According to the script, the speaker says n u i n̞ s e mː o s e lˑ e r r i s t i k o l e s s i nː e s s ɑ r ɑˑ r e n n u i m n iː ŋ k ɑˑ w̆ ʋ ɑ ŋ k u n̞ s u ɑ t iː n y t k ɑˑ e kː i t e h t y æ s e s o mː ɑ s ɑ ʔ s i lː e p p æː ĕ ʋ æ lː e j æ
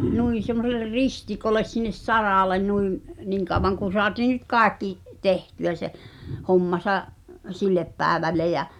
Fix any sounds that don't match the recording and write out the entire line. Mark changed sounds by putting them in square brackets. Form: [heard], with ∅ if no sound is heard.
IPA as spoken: n u i n̞ s e mː o s e lˑ e r r i s t i k o l e s s i nː e s s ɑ r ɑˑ [l] e n n u i m n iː ŋ k ɑˑ w̆ ʋ ɑ ŋ k u n̞ s [o] ɑ t iː n y t k ɑˑ e kː i t e h t y æ s e [h] o mː ɑ s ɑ ʔ s i lː e p p æː ĕ ʋ æ lː e j æ